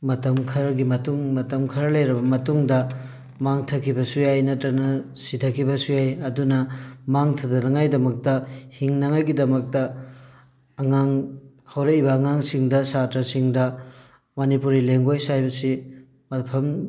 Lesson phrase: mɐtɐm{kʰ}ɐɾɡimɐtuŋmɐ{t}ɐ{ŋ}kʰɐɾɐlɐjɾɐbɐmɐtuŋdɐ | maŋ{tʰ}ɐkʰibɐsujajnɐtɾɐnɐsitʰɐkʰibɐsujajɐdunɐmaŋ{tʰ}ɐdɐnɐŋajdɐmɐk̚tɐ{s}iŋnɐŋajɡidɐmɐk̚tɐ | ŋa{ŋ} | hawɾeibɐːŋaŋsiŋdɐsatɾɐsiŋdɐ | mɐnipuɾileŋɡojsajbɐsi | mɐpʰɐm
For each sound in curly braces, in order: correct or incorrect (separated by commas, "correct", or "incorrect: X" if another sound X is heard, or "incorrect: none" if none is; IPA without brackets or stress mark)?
correct, correct, incorrect: m, correct, correct, incorrect: h, correct